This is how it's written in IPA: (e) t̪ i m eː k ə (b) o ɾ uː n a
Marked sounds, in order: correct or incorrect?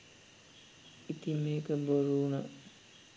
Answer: incorrect: i, correct

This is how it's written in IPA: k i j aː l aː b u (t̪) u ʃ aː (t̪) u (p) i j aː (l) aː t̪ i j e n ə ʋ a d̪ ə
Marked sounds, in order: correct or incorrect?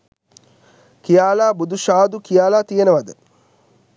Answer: incorrect: d̪, incorrect: d̪, incorrect: k, correct

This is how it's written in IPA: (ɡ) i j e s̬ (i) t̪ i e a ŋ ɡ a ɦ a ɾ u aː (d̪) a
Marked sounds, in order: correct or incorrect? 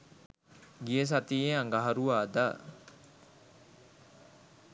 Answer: correct, incorrect: a, correct

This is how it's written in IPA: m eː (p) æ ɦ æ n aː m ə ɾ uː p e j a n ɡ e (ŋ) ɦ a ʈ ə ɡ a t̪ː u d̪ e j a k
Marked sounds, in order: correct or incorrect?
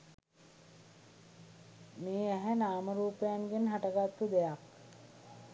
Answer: incorrect: none, incorrect: n

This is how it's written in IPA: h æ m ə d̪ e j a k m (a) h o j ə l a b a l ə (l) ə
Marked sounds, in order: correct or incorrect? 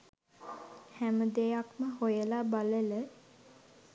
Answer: incorrect: ə, correct

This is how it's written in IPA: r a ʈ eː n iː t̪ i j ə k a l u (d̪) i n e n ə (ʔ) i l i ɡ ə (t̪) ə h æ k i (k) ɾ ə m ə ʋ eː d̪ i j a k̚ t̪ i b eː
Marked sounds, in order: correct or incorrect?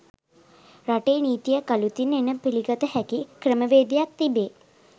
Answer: incorrect: t̪, incorrect: p, correct, correct

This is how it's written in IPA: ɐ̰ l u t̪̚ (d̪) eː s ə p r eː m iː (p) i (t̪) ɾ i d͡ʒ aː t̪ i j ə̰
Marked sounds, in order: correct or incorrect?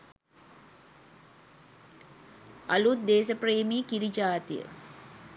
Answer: correct, incorrect: k, incorrect: none

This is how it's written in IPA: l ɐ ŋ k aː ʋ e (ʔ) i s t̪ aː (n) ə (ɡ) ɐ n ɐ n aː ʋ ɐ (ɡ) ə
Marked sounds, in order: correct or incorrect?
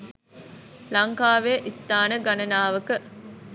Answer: correct, correct, correct, incorrect: k

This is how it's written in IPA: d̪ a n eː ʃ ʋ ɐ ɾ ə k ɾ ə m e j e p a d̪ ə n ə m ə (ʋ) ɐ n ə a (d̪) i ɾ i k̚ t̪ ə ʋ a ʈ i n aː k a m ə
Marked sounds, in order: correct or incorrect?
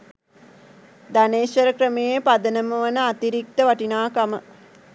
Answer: correct, incorrect: t̪

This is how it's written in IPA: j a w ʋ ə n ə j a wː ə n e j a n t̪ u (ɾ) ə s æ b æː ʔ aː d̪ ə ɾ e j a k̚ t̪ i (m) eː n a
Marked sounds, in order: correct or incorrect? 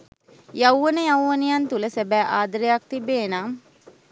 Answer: incorrect: l, incorrect: b

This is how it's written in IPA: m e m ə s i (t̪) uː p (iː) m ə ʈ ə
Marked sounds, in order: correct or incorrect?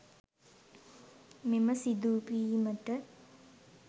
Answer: incorrect: d̪, correct

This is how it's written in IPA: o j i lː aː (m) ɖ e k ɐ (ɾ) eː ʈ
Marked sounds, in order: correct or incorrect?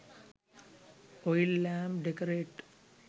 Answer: correct, correct

